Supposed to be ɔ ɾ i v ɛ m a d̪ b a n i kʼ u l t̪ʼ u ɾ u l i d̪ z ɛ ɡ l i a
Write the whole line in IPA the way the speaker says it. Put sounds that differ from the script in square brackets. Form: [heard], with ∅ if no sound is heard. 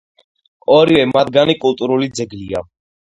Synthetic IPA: ɔ ɾ i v ɛ m a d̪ [ɡ] a n i kʼ u l t̪ʼ u ɾ u l i d̪ z ɛ ɡ l i a